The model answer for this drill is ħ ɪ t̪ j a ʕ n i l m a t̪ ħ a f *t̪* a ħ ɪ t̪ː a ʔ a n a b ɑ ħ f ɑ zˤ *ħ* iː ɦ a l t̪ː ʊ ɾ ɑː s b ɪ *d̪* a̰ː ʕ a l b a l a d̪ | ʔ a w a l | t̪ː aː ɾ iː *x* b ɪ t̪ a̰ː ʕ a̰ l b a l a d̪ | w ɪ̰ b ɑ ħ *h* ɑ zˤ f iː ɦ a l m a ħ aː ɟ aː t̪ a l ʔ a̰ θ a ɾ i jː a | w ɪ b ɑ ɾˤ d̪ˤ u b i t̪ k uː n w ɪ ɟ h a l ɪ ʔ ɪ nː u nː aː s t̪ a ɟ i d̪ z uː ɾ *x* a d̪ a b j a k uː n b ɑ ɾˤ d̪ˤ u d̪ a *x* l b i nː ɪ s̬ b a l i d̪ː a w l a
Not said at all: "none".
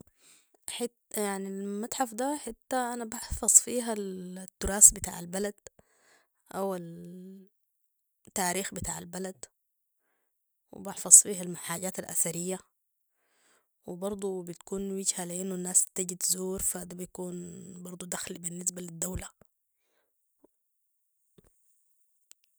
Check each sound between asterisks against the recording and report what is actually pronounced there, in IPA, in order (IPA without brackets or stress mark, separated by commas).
d̪, f, t̪, x, f, f, x